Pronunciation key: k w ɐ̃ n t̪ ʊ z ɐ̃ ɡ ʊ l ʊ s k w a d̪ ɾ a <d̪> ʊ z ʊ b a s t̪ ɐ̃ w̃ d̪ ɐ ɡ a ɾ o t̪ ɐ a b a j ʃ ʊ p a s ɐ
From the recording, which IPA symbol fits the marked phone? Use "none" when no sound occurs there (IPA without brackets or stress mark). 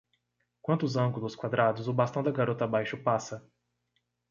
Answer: d̪